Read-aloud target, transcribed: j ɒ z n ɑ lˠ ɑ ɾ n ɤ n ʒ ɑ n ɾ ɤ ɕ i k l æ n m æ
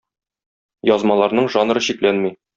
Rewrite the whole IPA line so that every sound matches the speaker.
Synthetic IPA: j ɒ z m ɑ lˠ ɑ ɾ n ɤ ɴ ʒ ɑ n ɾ ɤ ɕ i k l æ n m i

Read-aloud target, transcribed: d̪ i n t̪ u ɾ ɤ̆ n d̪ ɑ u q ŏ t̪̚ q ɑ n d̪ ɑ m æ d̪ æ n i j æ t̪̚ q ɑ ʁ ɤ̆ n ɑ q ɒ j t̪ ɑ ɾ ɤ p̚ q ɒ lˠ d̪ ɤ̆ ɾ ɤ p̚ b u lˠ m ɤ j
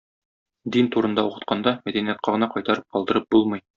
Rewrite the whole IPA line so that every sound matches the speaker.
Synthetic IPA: d̪ i n t̪ u ɾ ɤ̆ n d̪ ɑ u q ɤ̆ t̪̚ q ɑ n d̪ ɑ m æ d̪ æ n i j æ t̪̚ q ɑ ʁ ɤ̆ n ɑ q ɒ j t̪ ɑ ɾ ɤ p̚ q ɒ lˠ d̪ ɤ̆ ɾ ɤ p̚ b u lˠ m ɤ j

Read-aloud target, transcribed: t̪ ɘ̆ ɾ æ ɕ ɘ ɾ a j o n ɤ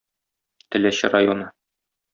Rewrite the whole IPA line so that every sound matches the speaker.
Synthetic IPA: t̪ ɘ̆ l æ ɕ ɘ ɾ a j o n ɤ

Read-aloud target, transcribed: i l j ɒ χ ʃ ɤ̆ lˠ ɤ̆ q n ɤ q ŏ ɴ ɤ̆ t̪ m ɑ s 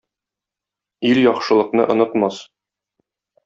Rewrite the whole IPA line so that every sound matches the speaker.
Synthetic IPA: i l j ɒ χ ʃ ɤ̆ lˠ ɤ̆ q n ɤ ʔ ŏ n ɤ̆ t̪ m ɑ s

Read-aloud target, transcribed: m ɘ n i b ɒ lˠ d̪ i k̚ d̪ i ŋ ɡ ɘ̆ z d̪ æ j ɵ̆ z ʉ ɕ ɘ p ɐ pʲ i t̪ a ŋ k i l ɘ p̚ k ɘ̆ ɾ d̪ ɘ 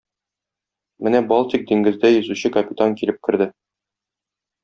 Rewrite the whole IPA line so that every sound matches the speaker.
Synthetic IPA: m ɘ n æ b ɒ lˠ t̪ i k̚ d̪ i ŋ ɡ ɘ̆ z d̪ æ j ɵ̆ z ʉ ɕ ɘ k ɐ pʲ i t̪ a ŋ k i l ɘ p̚ k ɘ̆ ɾ d̪ ɘ

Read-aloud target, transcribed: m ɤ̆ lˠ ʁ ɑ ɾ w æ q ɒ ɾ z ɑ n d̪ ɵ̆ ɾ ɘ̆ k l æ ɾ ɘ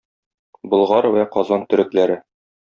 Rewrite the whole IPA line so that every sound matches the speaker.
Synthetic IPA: b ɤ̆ lˠ ʁ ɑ ɾ w æ q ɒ z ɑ n t̪ ɵ̆ ɾ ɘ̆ k l æ ɾ ɘ

